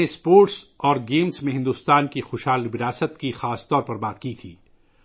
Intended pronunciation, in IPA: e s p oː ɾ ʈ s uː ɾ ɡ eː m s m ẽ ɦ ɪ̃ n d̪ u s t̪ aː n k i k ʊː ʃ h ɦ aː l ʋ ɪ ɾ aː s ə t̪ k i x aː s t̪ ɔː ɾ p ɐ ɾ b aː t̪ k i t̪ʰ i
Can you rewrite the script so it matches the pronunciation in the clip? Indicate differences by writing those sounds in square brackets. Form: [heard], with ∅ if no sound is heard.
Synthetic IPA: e s p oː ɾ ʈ s [ɔː] ɾ ɡ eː m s m ẽ ɦ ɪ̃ n d̪ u s t̪ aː n k i [x] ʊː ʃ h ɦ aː l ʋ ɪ ɾ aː s ə t̪ k i x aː s t̪ ɔː ɾ p ɐ ɾ b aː t̪ k i t̪ʰ [iː]